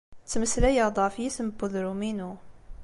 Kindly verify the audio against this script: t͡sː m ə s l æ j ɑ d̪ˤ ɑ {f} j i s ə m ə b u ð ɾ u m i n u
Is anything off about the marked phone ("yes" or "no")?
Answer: no